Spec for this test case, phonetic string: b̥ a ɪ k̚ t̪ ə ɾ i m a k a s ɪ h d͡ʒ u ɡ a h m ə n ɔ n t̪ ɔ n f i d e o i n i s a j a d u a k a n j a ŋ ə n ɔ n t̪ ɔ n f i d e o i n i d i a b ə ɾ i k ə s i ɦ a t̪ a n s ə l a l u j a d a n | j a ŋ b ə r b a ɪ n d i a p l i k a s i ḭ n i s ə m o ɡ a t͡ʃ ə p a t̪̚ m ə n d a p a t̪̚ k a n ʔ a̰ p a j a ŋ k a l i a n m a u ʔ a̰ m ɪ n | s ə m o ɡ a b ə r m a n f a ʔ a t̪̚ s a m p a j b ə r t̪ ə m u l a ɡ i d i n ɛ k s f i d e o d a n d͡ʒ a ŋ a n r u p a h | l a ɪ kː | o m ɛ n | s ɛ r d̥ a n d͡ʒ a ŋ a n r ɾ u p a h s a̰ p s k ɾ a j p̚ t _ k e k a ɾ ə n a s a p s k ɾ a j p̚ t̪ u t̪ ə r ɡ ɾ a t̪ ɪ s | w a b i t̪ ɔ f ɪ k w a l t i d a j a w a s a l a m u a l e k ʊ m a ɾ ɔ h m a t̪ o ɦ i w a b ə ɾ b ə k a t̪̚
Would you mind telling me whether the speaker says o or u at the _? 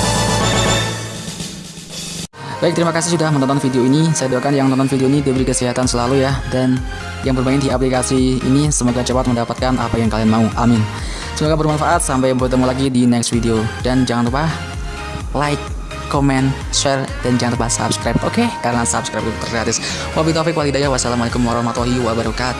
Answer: o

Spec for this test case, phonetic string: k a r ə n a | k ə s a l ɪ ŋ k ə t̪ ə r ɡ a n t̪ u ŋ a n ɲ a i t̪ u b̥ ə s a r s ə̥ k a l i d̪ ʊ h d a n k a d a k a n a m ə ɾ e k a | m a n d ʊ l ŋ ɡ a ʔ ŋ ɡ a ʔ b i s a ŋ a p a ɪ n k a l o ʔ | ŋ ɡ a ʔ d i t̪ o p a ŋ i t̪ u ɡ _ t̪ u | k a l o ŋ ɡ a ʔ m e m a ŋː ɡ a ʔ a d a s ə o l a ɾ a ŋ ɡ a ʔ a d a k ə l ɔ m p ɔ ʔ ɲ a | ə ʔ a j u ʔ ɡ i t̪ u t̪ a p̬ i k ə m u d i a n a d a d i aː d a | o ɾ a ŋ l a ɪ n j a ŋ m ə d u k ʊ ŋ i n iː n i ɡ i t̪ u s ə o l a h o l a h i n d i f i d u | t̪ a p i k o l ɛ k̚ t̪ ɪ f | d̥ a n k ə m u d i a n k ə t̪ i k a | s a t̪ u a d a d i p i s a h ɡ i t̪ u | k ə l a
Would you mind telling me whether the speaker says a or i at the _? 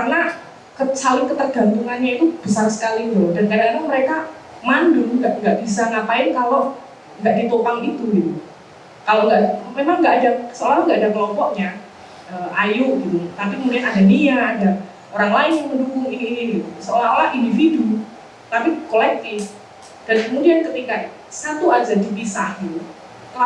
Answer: i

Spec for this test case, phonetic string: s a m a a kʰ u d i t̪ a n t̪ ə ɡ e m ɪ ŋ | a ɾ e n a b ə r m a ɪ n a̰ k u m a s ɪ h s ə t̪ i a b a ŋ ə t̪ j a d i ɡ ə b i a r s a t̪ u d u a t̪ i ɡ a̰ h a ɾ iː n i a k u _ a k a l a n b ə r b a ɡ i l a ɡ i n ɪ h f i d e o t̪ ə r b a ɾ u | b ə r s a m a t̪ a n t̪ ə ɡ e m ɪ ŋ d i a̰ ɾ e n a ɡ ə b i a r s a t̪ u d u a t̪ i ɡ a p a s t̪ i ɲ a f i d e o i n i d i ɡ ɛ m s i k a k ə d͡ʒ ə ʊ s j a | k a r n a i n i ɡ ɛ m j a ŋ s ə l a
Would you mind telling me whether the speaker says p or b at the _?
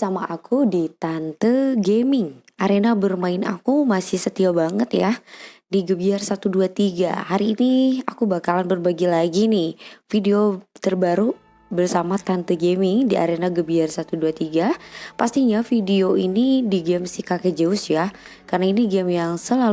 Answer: b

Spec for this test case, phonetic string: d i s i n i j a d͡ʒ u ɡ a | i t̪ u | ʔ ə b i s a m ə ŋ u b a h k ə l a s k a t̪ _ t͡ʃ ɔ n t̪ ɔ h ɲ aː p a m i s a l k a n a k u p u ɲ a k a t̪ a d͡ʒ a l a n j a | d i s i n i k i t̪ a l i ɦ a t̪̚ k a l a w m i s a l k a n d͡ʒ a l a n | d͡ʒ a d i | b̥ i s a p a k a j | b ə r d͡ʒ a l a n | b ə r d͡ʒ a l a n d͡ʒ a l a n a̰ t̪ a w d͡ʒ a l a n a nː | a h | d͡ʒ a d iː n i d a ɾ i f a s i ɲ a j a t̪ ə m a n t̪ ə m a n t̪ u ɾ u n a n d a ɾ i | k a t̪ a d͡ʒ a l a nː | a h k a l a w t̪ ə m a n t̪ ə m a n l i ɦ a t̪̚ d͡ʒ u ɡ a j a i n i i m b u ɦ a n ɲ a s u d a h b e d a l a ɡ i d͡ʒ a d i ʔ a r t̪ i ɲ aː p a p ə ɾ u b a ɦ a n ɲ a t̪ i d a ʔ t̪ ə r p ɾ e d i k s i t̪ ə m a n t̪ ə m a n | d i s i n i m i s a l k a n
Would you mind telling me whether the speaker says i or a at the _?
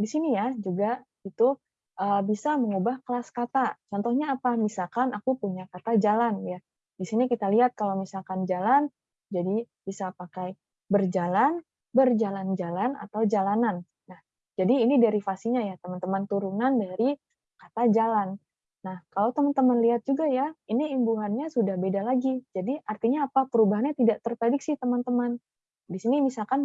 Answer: a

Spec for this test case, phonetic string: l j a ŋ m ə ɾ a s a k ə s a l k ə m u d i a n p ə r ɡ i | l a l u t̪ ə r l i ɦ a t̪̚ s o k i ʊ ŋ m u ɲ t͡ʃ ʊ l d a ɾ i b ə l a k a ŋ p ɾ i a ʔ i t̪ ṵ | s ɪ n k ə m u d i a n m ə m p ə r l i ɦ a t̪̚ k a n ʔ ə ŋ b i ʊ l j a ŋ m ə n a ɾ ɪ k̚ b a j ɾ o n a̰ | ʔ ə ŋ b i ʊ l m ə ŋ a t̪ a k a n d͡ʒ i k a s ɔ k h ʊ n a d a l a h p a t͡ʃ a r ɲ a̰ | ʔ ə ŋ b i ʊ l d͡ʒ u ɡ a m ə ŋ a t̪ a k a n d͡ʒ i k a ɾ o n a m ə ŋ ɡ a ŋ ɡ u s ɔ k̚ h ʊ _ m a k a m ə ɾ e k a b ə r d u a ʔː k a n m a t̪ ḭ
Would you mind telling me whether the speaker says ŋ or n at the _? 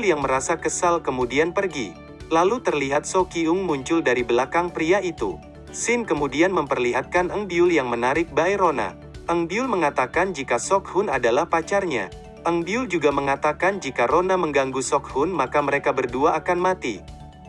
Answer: n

